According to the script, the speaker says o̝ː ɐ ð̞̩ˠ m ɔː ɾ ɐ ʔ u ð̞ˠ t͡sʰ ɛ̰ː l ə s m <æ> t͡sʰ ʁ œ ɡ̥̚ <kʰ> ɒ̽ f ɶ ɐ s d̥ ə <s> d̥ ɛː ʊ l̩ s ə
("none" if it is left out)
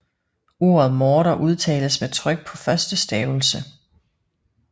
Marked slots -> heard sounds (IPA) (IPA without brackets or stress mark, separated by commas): e, pʰ, s